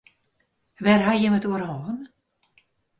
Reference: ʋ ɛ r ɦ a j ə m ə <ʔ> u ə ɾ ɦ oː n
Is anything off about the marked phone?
yes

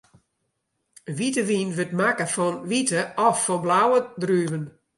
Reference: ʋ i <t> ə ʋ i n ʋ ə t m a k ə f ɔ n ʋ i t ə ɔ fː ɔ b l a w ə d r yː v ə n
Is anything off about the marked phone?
no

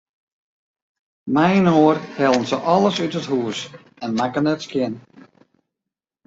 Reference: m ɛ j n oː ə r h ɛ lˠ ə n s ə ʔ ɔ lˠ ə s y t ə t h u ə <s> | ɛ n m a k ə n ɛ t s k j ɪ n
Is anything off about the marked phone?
no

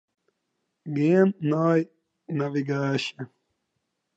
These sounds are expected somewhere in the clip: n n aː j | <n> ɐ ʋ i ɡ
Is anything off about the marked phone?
no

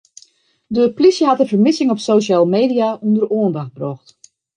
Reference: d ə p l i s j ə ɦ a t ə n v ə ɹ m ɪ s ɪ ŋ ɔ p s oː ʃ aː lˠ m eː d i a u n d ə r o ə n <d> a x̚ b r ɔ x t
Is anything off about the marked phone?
no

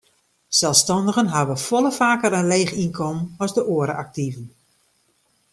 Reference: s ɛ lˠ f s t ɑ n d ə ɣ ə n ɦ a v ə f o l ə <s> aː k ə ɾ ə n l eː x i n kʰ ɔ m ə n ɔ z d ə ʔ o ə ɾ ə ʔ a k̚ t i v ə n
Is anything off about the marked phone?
yes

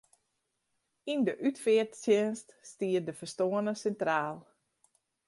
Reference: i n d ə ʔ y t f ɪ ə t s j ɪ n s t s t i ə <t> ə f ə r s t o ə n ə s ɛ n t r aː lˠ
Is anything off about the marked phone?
yes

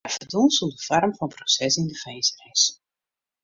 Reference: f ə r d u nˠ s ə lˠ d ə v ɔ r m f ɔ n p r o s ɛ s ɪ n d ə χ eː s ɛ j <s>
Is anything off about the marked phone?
no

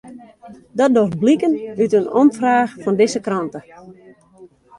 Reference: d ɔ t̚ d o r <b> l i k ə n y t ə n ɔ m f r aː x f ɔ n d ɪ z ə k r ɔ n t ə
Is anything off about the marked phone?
no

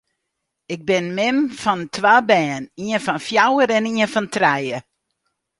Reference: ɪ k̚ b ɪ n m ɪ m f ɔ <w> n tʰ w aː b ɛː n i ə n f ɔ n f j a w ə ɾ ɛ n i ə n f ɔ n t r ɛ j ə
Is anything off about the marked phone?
yes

